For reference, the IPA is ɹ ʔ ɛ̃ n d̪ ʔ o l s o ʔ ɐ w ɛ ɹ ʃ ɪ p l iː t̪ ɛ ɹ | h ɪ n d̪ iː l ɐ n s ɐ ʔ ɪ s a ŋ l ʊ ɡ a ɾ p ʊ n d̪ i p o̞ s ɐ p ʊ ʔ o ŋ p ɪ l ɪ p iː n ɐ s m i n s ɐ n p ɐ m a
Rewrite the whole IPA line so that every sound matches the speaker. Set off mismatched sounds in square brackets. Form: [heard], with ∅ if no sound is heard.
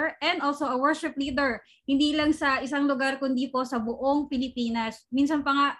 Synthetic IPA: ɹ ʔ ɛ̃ n d̪ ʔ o l s o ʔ ɐ w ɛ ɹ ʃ ɪ p l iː [d̪] ɛ ɹ | h ɪ n d̪ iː l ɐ [ŋ] s ɐ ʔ ɪ s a ŋ l ʊ ɡ a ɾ [k] ʊ n d̪ i p o̞ s ɐ [b] ʊ ʔ o ŋ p ɪ l ɪ p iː n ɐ s m i n s ɐ n p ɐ [ŋ] a